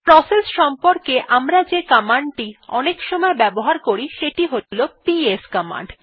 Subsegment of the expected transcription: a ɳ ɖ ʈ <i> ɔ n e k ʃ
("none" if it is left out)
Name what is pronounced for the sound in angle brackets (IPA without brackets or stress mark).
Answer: i